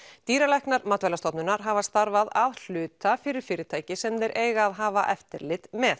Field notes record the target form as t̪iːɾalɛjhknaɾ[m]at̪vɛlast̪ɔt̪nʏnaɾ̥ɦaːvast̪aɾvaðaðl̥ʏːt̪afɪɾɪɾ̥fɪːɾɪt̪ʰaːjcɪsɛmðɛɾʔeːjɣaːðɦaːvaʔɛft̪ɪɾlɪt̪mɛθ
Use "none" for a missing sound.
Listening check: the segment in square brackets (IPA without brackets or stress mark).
m